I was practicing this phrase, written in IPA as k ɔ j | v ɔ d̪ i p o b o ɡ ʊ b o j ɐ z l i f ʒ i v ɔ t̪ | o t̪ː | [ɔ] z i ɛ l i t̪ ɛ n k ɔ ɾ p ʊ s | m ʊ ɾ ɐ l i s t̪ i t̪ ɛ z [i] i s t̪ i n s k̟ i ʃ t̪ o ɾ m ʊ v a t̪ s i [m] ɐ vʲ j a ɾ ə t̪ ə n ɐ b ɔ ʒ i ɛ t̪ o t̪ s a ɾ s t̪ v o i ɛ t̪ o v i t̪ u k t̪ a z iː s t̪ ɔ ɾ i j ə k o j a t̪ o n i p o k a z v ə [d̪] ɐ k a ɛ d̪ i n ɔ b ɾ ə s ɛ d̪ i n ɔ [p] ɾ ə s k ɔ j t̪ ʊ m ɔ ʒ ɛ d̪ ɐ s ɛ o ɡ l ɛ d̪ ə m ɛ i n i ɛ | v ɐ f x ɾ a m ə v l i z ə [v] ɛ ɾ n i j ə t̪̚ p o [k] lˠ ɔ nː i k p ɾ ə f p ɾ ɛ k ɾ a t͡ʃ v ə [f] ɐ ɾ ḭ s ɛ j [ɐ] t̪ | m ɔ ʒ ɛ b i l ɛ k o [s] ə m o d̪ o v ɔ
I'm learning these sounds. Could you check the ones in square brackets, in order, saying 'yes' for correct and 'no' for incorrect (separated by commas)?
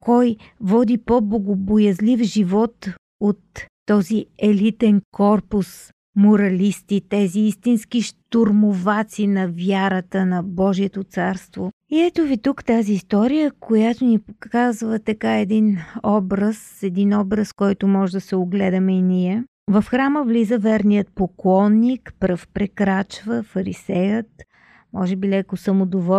yes, yes, no, no, no, yes, yes, yes, no, yes